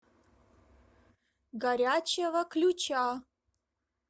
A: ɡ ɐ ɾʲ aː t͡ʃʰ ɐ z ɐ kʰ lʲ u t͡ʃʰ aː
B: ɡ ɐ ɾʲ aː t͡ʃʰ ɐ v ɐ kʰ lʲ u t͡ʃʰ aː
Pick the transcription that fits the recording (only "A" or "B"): B